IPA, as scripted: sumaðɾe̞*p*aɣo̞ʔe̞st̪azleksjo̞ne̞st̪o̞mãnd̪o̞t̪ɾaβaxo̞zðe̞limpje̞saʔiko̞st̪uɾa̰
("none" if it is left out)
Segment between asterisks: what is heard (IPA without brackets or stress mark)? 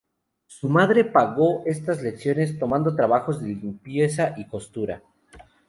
p